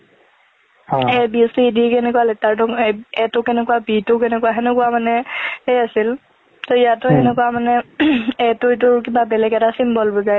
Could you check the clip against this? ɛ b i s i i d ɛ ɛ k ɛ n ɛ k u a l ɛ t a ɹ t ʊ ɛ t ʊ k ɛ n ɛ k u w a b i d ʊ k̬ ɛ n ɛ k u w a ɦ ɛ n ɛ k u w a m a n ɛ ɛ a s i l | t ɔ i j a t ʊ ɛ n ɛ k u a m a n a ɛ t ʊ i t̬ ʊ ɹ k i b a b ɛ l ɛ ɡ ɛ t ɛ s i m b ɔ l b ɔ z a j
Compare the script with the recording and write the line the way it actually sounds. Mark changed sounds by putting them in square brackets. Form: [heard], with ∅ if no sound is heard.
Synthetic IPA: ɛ b i s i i d [i] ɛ k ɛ n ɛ k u a l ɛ t a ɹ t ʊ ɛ t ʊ k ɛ n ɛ k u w a b i [t] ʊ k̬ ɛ n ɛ k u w a ɦ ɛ n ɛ k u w a m a n ɛ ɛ a s i l | t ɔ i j a t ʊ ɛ n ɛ k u a m a n [ɛ] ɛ t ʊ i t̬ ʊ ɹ k i b a b ɛ l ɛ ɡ ɛ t [a] s i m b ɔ l b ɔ z a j